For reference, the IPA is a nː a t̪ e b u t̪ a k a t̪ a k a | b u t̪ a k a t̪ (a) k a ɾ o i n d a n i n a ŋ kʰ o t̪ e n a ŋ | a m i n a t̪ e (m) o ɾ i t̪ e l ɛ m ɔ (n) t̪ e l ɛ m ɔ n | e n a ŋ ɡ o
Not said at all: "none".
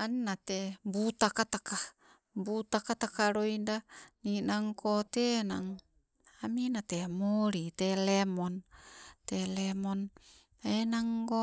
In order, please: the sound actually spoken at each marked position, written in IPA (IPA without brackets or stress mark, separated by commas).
a, m, n